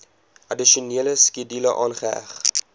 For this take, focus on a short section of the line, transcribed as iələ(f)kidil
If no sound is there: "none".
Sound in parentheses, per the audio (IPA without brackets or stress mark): s